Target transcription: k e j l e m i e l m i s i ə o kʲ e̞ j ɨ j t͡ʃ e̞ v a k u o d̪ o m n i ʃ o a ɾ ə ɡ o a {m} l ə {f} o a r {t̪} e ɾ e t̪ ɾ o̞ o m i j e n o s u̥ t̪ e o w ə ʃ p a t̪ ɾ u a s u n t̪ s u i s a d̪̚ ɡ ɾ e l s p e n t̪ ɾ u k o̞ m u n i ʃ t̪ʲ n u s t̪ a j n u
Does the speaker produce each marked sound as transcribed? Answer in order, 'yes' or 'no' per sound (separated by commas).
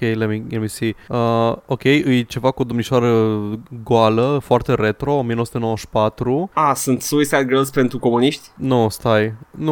no, yes, yes